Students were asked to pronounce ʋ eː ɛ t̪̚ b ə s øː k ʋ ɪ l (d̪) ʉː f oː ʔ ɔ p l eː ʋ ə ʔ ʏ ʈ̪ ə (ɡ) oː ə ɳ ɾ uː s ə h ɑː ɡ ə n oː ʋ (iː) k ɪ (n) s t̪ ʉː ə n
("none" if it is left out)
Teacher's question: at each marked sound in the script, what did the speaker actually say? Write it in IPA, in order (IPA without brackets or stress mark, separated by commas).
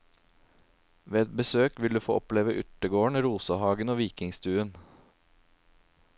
d̪, ɡ, iː, ŋ